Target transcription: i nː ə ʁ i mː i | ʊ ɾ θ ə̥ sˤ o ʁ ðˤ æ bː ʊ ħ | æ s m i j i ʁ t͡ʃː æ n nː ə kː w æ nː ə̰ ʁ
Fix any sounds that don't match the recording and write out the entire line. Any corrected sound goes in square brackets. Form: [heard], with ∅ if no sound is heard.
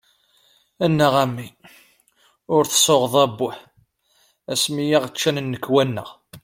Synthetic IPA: [æ] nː ə ʁ [æ] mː i | ʊ ɾ θ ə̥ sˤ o ʁ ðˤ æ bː ʊ ħ | æ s m i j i ʁ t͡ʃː æ n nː ə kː w æ nː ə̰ ʁ